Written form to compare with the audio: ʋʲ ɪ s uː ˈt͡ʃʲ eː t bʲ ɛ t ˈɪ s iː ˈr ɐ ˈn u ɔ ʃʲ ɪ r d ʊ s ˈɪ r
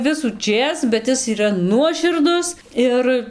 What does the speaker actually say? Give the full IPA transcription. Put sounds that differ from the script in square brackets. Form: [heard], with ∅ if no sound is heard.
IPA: ʋʲ ɪ s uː ˈt͡ʃʲ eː [s] bʲ ɛ t ˈɪ s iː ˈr ɐ ˈn u ɔ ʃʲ ɪ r d ʊ s ˈɪ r